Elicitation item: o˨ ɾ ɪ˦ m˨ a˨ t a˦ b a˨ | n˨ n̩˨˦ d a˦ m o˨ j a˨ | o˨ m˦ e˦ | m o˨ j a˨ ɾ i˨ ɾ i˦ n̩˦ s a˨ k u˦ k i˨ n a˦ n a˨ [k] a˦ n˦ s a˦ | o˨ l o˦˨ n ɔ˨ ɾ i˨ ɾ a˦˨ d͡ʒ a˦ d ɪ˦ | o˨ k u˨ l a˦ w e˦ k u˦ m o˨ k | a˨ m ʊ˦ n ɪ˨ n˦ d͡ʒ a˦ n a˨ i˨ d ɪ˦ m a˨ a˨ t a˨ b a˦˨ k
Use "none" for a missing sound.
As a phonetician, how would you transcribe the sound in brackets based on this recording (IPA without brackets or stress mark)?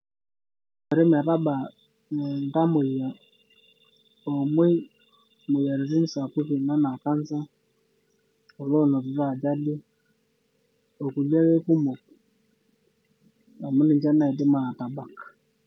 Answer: k